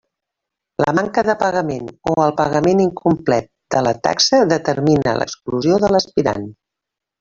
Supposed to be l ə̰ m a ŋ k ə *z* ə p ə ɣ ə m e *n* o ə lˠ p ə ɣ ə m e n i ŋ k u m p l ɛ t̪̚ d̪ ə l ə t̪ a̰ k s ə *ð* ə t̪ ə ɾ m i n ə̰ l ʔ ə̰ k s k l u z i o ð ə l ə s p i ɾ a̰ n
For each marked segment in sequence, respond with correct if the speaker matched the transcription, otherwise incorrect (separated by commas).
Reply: incorrect, correct, correct